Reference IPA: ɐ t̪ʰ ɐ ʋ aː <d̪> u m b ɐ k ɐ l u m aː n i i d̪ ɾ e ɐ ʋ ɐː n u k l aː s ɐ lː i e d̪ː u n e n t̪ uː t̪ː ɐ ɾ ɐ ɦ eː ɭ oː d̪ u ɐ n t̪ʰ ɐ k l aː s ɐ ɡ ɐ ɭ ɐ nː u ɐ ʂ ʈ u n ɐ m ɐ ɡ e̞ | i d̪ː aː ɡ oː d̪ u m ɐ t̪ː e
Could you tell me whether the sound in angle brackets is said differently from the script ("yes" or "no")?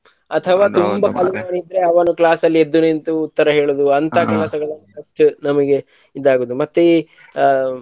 yes